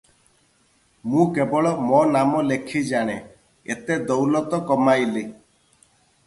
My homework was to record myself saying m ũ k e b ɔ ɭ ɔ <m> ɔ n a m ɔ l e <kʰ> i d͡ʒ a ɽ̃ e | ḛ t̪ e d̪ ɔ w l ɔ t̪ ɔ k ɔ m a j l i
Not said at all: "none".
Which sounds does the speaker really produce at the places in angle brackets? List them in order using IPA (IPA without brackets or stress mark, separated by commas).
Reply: m, kʰ